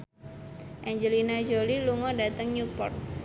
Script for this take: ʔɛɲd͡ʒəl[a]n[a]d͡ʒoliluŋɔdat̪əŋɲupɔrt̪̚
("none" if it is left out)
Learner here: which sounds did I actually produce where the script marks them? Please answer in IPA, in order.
i, a

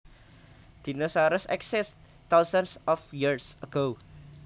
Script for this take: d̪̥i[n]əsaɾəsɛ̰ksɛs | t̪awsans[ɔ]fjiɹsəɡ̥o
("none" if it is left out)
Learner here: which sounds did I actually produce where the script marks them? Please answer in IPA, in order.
n, ɔ

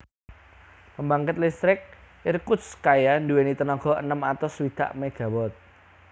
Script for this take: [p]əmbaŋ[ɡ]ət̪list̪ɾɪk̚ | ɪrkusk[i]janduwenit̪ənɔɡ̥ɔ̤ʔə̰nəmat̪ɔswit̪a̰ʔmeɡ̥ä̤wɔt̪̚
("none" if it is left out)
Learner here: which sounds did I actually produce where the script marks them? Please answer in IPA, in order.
p, k, a

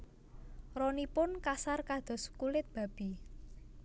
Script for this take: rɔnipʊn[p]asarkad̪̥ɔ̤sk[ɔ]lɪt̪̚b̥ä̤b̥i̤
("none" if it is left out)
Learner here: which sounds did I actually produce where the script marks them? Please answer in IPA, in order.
k, u

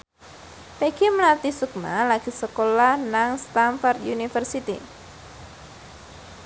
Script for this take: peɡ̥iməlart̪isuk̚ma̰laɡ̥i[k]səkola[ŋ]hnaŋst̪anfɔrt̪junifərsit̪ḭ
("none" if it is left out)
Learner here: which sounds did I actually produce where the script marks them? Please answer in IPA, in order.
none, none

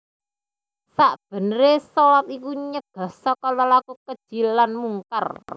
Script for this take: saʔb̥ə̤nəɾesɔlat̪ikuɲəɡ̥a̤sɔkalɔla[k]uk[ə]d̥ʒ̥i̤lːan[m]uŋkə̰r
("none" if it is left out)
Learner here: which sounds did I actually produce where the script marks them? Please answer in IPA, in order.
k, ə, m

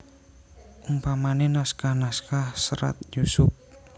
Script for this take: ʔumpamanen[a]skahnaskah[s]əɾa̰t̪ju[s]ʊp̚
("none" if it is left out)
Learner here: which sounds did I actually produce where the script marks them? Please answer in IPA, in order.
a, s, s

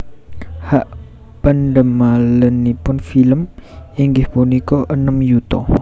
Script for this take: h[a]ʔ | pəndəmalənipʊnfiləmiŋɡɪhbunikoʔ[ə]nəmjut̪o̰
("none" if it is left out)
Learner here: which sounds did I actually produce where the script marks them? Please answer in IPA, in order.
a, ə

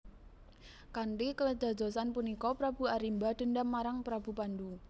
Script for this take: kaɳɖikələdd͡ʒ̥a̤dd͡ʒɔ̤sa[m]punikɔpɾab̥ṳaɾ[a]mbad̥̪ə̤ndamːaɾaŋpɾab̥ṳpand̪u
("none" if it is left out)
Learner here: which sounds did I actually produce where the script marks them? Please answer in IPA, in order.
n, i

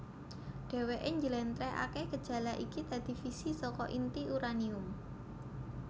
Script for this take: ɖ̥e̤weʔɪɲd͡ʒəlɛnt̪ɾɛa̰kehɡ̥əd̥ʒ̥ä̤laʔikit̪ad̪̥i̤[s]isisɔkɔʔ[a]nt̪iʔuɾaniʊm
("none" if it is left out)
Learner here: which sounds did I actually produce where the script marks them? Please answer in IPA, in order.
f, i

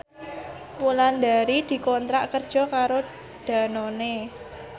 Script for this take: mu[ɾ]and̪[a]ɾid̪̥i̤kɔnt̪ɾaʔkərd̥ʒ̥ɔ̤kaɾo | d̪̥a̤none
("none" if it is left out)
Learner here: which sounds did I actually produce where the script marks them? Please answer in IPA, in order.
l, a

